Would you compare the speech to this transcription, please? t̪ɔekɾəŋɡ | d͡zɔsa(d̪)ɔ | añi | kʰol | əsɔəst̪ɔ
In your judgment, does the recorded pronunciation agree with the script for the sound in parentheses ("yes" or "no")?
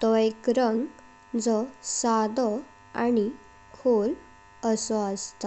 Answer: yes